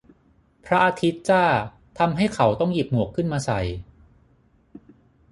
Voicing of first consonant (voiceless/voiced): voiceless